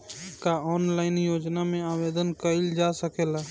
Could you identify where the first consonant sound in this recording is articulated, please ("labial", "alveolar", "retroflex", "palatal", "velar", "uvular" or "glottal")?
velar